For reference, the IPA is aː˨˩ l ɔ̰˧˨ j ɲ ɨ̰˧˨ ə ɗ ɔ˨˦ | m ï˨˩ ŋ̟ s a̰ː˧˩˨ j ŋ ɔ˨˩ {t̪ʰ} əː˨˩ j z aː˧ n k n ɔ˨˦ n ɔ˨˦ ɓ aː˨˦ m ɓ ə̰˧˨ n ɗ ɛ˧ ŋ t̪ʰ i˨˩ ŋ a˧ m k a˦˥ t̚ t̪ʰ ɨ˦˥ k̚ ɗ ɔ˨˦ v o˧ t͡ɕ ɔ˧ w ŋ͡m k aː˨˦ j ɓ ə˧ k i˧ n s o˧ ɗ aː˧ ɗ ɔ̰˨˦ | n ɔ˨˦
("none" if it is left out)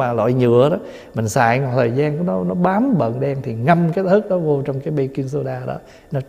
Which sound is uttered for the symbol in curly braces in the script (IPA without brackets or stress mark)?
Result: t̪ʰ